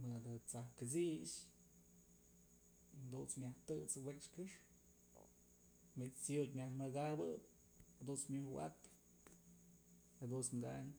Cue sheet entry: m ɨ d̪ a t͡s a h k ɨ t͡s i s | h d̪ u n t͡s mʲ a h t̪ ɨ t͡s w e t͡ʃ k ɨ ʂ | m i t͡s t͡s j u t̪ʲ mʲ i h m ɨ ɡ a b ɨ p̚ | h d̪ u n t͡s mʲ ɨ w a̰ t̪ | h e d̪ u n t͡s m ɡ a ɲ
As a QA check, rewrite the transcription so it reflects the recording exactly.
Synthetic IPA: m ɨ d̪ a t͡s a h k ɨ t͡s i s | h d̪ u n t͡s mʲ a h t̪ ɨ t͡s w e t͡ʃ k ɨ ʂ | m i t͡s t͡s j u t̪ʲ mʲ a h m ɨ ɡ a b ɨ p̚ | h d̪ u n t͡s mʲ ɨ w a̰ t̪ | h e d̪ u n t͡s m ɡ a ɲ